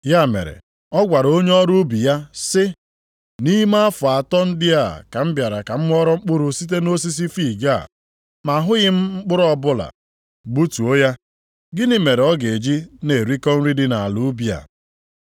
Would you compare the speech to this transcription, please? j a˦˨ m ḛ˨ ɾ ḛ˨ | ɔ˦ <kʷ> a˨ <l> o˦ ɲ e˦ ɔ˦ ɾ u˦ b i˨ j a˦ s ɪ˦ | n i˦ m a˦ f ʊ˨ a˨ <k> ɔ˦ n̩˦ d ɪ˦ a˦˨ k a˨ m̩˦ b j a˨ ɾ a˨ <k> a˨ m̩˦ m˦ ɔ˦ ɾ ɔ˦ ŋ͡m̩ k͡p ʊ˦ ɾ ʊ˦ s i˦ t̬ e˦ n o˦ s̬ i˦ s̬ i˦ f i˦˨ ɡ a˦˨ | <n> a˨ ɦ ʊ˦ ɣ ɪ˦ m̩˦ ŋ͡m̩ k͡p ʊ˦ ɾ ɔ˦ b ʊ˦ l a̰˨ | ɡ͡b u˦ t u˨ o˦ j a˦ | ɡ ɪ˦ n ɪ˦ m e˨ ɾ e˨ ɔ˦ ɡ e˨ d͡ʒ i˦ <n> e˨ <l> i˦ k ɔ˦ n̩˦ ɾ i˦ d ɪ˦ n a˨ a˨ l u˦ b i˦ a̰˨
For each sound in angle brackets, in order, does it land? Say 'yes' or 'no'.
no, no, no, yes, no, yes, no

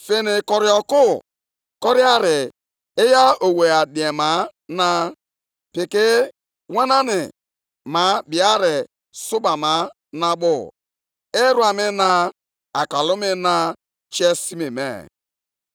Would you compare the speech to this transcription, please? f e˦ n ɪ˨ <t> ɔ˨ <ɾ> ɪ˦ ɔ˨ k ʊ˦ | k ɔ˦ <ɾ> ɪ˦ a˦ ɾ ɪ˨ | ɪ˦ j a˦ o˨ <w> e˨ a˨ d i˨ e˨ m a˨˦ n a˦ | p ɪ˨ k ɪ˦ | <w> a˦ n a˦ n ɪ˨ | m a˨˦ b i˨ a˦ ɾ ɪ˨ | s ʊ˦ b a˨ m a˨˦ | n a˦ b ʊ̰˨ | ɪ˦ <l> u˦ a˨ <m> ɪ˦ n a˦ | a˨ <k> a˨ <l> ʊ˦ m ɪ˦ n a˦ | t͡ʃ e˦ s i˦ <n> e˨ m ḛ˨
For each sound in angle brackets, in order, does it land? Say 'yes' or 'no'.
no, yes, yes, yes, yes, no, yes, yes, yes, no

